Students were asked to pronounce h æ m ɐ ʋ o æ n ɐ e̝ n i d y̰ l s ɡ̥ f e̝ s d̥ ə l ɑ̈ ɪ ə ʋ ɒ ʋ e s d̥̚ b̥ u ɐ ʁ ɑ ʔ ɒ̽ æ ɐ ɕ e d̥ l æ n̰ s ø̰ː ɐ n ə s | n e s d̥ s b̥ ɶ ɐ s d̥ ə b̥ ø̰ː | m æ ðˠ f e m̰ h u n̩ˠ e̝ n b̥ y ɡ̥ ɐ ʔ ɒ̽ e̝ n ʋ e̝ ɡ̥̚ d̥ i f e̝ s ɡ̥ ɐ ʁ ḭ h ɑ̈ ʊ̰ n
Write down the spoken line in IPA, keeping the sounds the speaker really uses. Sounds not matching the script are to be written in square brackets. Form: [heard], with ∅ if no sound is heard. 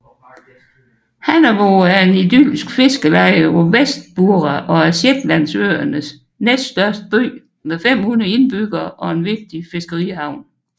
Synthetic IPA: h æ [n] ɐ ʋ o æ [∅] ɐ e̝ n i d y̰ l s ɡ̥ f e̝ s [ɡ̥] ə l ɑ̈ ɪ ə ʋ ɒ ʋ e s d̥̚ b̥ u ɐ ʁ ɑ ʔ ɒ̽ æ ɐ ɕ e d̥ l æ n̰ s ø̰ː ɐ n ə s | n e s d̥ s [d̥] ɶ ɐ s d̥ ə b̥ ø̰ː | m [e] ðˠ f e m̰ h u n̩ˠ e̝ n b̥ y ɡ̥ ɐ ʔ ɒ̽ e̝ n ʋ e̝ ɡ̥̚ d̥ i f e̝ s ɡ̥ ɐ ʁ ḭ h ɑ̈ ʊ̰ n